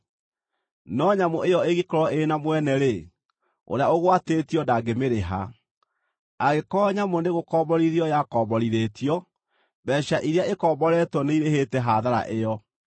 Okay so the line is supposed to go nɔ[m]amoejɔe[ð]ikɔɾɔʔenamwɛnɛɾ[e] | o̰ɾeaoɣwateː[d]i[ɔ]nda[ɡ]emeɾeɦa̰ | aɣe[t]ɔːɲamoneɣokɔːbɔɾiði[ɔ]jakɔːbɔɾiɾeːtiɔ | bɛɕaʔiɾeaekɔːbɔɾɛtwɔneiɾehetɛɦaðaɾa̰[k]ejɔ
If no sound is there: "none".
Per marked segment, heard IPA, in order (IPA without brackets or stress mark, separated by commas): ɲ, ɣ, e, t, ɔ, ɡ, k, ɔ, ʔ